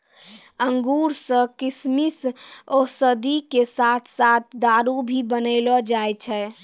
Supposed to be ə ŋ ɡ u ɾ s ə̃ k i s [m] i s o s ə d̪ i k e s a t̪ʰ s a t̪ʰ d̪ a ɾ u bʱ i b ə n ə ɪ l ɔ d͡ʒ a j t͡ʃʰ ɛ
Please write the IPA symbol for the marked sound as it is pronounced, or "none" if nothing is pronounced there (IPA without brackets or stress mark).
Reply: m